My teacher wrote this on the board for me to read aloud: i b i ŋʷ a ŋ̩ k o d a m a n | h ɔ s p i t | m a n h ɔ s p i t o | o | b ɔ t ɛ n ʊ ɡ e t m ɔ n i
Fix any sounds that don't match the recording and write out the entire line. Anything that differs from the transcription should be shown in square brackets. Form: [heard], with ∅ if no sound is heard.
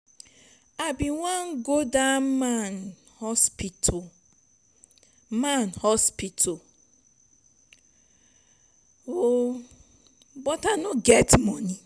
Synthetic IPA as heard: [a] b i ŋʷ a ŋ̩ [ɡ] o d a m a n | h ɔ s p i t | m a n h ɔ s p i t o | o | b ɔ t [a] n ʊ ɡ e t m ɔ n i